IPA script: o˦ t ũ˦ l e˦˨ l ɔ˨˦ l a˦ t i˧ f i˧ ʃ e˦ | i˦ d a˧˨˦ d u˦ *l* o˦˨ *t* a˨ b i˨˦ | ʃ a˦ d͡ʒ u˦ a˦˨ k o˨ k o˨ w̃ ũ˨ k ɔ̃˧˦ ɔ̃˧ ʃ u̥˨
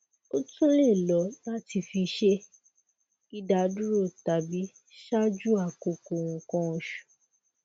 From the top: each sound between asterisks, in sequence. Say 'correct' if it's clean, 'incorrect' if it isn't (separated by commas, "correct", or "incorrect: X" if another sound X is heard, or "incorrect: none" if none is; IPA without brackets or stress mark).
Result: incorrect: ɾ, correct